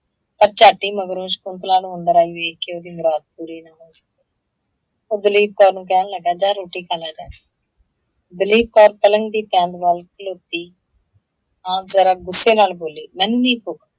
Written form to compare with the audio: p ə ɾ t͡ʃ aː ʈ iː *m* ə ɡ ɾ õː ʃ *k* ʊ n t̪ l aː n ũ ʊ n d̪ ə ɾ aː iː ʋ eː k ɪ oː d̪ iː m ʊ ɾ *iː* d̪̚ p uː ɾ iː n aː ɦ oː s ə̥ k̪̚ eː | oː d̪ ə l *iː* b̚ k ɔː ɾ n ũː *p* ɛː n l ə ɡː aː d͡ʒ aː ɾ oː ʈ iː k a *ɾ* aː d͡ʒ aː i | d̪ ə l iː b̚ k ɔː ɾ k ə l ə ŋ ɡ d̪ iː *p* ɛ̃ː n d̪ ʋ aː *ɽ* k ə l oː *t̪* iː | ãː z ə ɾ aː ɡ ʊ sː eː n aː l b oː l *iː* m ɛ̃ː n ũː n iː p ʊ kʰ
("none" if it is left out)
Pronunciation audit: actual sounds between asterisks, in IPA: m, k, aː, iː, k, l, p, l, t̪, iː

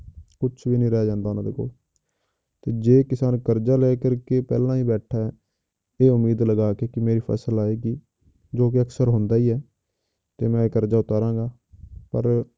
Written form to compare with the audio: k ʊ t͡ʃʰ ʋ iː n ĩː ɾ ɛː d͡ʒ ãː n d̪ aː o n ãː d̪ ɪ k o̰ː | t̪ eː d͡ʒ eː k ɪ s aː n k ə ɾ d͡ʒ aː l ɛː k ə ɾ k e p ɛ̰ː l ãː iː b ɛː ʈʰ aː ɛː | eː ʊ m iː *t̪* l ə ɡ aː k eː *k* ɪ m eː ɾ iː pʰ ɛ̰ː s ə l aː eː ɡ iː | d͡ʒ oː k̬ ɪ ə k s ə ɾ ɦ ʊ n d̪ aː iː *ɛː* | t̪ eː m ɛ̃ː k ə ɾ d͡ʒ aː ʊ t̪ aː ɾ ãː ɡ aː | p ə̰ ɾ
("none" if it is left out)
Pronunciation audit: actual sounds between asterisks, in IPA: d̪, k, ɛː

